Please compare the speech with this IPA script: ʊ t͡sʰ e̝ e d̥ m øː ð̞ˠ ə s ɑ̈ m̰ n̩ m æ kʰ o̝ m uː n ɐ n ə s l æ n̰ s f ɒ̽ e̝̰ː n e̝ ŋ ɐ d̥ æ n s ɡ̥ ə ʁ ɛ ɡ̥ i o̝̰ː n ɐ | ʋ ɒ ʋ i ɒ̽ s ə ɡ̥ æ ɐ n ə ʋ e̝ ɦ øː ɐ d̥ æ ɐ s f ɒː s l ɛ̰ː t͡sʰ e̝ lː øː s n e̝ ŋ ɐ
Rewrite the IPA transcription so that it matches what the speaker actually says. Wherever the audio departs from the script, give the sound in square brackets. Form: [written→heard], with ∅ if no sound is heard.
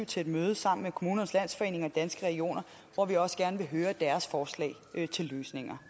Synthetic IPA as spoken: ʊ t͡sʰ e̝ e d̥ m øː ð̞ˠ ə s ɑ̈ m̰ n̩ m [æ→e] kʰ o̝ m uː n ɐ n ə s l æ n̰ s f ɒ̽ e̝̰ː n e̝ ŋ ɐ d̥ æ n s ɡ̥ ə ʁ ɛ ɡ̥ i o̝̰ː n ɐ | ʋ ɒ ʋ i ɒ̽ s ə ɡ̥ æ ɐ n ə ʋ e̝ ɦ øː ɐ d̥ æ ɐ s f ɒː s l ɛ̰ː t͡sʰ e̝ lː øː s n e̝ ŋ ɐ